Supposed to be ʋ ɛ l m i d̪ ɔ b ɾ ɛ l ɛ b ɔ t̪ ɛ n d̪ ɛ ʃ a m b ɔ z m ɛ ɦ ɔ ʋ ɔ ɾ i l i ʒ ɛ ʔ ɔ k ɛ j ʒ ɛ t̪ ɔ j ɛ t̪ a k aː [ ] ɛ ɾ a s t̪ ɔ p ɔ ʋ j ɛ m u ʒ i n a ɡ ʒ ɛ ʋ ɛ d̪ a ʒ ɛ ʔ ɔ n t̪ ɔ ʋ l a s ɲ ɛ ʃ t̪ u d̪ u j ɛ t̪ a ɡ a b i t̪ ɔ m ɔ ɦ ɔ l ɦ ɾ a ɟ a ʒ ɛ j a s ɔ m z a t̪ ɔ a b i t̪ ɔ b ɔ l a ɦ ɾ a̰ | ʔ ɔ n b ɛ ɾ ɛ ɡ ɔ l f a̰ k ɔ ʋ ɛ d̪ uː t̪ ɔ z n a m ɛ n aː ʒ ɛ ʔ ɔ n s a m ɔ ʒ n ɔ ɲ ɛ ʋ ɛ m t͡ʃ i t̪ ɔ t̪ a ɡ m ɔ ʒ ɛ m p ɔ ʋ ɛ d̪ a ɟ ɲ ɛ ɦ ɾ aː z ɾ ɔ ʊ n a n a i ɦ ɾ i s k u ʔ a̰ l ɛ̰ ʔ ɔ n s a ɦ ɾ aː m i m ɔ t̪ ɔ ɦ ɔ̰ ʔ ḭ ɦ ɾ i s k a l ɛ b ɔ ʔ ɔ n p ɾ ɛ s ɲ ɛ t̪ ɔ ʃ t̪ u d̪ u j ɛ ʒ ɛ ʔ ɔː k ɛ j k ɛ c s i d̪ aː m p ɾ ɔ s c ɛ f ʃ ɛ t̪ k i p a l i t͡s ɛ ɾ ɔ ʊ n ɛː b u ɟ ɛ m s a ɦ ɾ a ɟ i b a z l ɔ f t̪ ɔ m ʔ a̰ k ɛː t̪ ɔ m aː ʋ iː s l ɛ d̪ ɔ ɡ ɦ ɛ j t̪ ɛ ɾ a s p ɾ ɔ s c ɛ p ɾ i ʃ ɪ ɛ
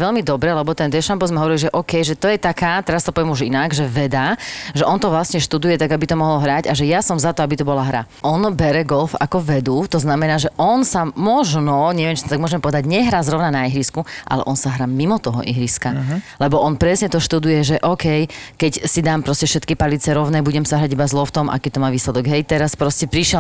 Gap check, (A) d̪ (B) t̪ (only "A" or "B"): B